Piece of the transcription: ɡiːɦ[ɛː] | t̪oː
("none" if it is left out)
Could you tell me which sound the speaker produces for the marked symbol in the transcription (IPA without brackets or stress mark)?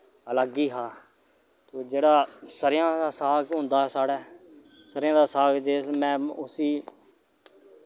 aː